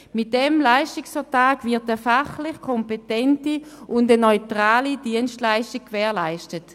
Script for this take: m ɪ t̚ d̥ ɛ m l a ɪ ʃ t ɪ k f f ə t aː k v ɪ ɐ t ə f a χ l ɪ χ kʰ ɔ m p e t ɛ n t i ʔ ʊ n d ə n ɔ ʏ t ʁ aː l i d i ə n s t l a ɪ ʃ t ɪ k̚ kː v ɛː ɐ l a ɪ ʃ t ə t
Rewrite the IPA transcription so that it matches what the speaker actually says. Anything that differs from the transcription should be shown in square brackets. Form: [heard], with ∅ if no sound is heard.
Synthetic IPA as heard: m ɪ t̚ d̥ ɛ m l a ɪ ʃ t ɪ k [s] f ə t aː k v ɪ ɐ t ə f a χ l ɪ χ kʰ ɔ m p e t ɛ n t i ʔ ʊ n d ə n ɔ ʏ t ʁ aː l i d i ə n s t l a ɪ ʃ t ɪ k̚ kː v ɛː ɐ l a ɪ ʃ t ə t